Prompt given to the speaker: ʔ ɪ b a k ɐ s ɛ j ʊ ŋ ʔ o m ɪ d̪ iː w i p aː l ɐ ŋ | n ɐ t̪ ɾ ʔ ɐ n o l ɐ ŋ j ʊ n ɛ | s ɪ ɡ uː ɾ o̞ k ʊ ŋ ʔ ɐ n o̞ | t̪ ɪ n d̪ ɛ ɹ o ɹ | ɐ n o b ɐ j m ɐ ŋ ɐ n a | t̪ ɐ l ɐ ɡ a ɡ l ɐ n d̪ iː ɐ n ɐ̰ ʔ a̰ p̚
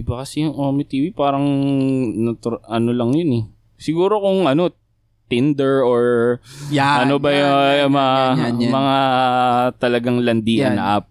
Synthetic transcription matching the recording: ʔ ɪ b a k ɐ s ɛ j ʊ ŋ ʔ o m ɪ t̪ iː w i p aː ɾ ɐ ŋ | n ɐ t̪ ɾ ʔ ɐ n o l ɐ ŋ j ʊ n ɛ | s ɪ ɡ uː ɾ o̞ k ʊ ŋ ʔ ɐ n o̞ | t̪ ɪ n d̪ ɛ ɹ o ɹ | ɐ n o b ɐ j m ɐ m ɐ ŋ a | t̪ ɐ l ɐ ɡ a ŋ l ɐ n d̪ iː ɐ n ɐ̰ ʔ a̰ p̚